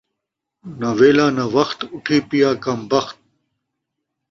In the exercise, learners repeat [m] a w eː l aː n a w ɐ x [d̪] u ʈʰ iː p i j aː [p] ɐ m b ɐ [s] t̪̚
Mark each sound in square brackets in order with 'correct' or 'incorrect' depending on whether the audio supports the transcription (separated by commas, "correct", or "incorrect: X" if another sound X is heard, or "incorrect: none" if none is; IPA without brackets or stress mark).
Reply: incorrect: n, incorrect: t̪, incorrect: k, incorrect: x